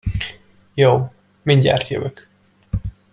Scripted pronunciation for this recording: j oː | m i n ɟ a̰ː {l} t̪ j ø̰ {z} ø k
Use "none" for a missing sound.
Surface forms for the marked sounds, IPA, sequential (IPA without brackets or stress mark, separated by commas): r, v